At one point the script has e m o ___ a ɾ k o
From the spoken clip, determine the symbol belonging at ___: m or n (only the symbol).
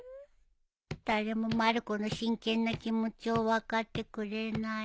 m